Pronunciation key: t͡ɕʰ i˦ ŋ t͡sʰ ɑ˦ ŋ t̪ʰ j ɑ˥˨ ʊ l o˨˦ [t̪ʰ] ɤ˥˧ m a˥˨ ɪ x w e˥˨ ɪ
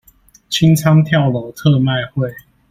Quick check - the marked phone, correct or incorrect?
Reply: correct